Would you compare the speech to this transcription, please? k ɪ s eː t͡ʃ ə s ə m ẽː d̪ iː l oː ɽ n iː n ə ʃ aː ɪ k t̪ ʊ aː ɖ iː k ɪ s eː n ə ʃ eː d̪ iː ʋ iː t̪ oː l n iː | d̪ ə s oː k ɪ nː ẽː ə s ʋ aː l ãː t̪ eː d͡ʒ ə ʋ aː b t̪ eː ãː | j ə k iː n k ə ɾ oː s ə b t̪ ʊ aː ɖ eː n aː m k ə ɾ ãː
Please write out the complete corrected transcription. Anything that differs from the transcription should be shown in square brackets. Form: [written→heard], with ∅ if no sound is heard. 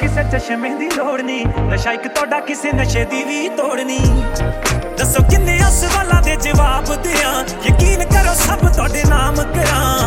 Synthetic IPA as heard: k ɪ s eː t͡ʃ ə [s→ʃ] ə m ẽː d̪ iː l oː ɽ n iː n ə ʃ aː ɪ k t̪ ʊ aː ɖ [iː→aː] k ɪ s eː n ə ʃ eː d̪ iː ʋ iː t̪ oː [l→ɽ] n iː | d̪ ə s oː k ɪ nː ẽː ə s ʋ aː l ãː [t̪→d̪] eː d͡ʒ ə ʋ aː b [t̪→d̪] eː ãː | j ə k iː n k ə ɾ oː s ə b t̪ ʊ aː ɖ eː n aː m k ə ɾ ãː